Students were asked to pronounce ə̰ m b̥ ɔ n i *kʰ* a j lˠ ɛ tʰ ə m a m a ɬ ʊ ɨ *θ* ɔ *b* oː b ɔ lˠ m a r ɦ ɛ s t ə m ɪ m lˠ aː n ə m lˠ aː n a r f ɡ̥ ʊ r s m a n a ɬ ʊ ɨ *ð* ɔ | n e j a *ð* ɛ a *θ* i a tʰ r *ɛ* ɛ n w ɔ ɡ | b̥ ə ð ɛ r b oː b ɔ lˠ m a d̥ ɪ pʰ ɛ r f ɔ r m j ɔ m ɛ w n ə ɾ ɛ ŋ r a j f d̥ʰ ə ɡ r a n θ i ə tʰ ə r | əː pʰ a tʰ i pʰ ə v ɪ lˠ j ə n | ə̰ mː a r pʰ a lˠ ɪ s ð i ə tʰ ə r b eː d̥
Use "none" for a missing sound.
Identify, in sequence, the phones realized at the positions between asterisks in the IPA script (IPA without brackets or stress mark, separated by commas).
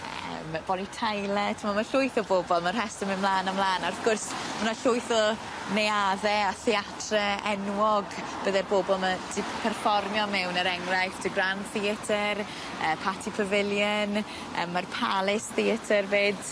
tʰ, θ, b, θ, ð, θ, ɛ